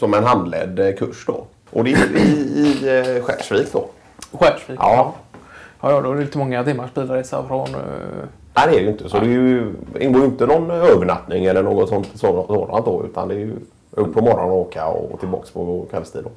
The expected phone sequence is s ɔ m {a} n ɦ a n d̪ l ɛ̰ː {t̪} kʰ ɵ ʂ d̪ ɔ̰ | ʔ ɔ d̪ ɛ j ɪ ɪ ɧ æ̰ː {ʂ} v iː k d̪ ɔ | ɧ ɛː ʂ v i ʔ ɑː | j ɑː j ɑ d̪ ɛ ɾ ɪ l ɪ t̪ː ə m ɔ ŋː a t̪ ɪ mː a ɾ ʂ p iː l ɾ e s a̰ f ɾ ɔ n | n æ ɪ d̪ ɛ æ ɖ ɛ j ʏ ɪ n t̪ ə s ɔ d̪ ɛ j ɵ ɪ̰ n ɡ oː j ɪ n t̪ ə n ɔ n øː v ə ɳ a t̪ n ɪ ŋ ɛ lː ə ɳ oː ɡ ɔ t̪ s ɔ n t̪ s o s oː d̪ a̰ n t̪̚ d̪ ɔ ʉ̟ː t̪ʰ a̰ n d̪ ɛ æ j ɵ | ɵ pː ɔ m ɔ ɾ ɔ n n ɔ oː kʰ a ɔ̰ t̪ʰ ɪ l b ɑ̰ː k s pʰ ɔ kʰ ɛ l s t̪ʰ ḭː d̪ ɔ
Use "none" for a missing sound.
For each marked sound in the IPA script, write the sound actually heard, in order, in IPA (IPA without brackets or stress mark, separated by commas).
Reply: ɛ, d̪, ʂ